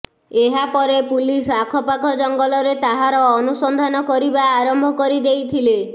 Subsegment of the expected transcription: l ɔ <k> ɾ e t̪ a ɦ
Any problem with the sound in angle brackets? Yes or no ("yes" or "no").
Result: yes